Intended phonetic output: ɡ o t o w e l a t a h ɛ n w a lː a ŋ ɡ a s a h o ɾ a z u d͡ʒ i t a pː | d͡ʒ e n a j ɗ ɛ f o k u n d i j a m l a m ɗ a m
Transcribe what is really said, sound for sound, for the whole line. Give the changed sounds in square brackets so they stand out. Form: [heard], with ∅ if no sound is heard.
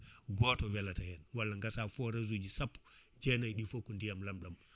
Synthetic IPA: ɡ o t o w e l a t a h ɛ n w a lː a ŋ ɡ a s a [f] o ɾ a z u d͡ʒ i [s] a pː | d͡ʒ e n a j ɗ [i] f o k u n d i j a m l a m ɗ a m